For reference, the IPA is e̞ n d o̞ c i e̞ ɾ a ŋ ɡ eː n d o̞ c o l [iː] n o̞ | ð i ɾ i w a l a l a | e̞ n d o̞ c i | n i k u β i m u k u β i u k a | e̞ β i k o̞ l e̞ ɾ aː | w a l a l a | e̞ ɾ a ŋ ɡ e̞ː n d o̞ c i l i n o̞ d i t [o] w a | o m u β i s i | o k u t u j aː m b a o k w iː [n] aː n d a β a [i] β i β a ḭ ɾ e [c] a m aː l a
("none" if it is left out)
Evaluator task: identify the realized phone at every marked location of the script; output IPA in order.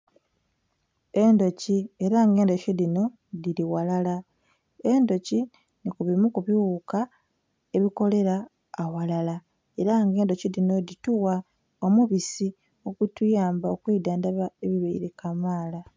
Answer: i, u, d, e, k

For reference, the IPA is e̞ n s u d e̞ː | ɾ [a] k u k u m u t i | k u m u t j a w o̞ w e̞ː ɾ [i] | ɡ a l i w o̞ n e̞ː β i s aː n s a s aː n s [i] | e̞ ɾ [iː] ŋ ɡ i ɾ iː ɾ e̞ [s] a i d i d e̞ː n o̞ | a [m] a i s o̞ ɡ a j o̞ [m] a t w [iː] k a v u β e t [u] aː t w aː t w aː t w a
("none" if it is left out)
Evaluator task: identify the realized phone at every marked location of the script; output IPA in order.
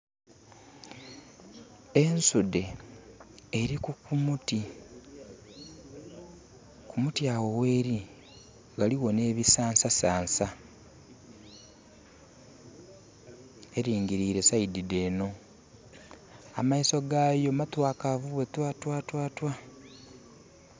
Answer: i, i, a, iː, s, m, m, aː, w

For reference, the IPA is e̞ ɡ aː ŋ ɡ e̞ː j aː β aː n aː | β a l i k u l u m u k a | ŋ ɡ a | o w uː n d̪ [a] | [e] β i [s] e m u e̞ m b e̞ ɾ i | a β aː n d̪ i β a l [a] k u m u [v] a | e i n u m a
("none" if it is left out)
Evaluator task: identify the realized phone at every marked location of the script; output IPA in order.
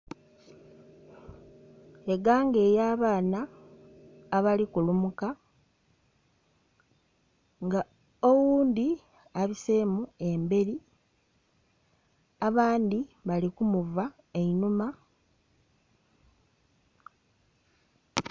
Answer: i, a, s, i, v

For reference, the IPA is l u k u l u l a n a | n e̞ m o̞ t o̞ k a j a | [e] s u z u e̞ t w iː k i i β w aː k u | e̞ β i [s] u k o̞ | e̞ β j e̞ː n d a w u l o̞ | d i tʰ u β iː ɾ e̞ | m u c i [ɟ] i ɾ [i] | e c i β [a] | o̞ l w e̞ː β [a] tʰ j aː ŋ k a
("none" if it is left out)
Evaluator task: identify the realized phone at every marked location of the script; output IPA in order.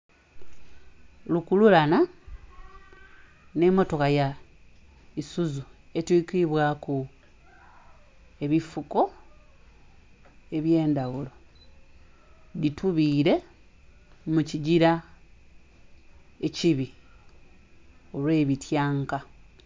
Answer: i, f, ɟ, a, i, i

